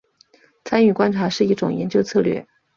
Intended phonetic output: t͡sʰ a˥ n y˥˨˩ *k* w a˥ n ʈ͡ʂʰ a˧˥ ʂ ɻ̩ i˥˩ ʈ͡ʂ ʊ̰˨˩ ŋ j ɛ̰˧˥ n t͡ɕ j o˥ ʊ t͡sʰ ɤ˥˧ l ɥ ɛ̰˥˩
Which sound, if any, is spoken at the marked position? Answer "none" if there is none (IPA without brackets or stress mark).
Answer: k